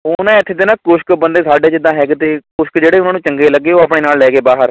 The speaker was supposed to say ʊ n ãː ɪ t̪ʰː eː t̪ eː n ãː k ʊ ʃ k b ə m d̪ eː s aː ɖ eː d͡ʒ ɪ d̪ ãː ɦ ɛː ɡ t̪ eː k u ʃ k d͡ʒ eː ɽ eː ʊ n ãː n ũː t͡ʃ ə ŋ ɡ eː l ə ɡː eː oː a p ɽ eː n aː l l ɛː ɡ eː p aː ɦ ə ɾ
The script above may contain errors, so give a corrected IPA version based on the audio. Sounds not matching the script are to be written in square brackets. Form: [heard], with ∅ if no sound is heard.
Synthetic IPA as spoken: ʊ n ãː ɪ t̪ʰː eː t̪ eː n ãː k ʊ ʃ k b ə [n] d̪ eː s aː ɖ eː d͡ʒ ɪ d̪ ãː ɦ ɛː ɡ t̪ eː k [ʊ] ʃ k d͡ʒ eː ɽ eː ʊ n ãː n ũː t͡ʃ ə ŋ ɡ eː l ə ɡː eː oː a p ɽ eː n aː l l ɛː ɡ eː [b] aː ɦ ə ɾ